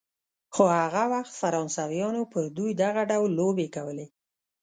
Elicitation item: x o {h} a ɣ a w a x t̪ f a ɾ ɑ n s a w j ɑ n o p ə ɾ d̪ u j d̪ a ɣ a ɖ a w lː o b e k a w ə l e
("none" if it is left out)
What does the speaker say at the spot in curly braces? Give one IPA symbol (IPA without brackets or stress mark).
h